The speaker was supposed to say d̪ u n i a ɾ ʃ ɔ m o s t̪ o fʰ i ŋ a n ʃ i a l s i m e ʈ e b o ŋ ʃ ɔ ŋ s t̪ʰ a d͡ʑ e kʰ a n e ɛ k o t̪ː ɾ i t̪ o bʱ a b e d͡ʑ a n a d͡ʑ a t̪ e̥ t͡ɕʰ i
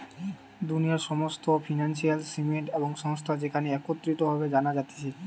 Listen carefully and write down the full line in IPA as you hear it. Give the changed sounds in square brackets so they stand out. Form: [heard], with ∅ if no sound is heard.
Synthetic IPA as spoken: d̪ u n i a ɾ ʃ ɔ m o s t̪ o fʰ i [n] a n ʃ i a l s i m e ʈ e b o ŋ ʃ ɔ ŋ s t̪ʰ a d͡ʑ e kʰ a n e ɛ k o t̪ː ɾ i t̪ o bʱ a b e d͡ʑ a n a d͡ʑ a t̪ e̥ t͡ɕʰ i